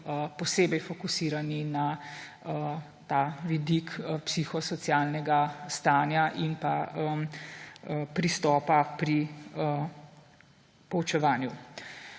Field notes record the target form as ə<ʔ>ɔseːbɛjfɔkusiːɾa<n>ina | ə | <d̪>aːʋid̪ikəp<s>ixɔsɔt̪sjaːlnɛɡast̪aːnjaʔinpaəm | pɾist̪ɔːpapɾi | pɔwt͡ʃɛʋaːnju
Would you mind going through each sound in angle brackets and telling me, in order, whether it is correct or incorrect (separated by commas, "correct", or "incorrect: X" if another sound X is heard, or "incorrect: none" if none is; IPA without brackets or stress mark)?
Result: incorrect: p, correct, incorrect: t̪, correct